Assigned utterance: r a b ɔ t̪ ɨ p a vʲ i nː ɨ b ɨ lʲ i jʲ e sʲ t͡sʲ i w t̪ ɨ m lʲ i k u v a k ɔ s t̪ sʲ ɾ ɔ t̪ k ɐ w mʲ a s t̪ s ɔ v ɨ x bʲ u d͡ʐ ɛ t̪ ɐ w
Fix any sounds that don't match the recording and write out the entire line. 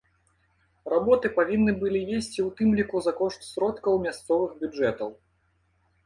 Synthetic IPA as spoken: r a b ɔ t̪ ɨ p a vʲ i nː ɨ b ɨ lʲ i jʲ e sʲ t͡sʲ i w t̪ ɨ m lʲ i k u z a k ɔ ʂ t̪ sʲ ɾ ɔ t̪ k ɐ w mʲ a s t̪ s ɔ v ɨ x bʲ u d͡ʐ ɛ t̪ ɐ w